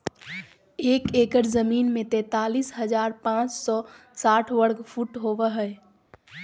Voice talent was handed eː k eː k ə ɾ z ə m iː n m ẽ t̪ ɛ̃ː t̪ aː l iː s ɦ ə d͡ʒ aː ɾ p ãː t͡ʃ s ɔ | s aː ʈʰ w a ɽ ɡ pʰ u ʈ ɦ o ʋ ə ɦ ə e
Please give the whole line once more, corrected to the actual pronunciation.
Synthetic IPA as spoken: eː k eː k ə ɾ z ə m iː n m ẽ t̪ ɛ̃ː t̪ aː l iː s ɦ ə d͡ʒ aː ɾ p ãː t͡ʃ s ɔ | s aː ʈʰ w ə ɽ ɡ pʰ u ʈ ɦ o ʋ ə ɦ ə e